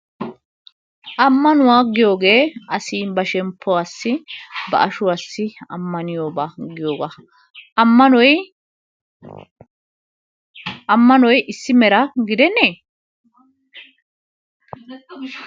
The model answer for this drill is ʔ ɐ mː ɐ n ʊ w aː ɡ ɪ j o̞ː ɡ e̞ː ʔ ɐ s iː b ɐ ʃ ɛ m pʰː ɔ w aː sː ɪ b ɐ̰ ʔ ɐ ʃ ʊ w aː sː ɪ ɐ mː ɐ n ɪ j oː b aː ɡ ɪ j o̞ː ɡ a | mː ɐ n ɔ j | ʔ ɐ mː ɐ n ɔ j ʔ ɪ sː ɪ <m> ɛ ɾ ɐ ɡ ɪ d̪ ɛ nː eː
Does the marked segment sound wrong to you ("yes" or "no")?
no